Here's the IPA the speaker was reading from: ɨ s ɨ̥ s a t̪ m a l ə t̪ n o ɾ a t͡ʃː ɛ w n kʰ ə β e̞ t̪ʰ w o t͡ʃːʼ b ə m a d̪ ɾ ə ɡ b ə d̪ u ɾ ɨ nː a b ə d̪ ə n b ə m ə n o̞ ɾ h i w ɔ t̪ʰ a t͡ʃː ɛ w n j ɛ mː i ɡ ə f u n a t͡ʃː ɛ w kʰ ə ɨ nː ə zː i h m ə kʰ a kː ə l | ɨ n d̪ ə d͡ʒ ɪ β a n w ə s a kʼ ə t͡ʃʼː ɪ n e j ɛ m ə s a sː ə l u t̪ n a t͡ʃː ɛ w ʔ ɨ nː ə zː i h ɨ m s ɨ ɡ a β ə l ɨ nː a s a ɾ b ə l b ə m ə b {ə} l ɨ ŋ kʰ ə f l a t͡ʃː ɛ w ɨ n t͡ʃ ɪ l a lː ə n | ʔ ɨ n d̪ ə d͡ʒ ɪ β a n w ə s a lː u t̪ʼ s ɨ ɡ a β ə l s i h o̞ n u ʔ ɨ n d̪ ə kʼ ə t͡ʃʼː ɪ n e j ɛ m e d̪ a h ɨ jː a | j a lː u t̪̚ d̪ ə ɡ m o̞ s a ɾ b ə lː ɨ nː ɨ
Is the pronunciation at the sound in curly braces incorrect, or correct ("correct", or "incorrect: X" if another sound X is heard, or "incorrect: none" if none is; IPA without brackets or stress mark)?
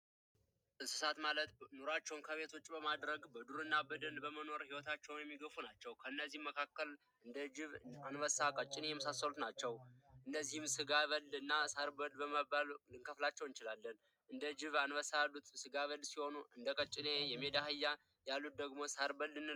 incorrect: a